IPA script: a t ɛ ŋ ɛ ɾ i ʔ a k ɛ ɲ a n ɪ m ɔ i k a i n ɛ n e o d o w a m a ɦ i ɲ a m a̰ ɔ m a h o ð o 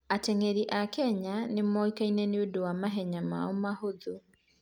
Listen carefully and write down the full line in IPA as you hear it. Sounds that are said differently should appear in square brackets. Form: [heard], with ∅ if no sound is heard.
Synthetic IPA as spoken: a t ɛ ŋ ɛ ɾ i ʔ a k ɛ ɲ a n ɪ m ɔ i k a i n ɛ n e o d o w a m a ɦ [ɛ] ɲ a m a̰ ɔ m a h o ð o